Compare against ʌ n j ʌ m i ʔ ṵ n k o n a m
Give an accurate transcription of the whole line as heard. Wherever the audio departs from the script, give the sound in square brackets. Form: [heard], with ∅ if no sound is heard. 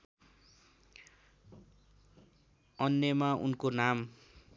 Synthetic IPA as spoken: ʌ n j ʌ m [a] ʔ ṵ n k o n a m